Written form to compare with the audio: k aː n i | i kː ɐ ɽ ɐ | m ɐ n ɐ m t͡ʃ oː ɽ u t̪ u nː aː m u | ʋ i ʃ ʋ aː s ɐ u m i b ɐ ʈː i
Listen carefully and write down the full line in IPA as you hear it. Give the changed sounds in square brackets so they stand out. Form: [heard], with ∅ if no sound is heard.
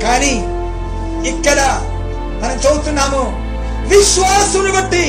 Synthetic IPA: k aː n i | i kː ɐ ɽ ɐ | m ɐ n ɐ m t͡ʃ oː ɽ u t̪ u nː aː m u | ʋ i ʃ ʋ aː s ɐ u [n] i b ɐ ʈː i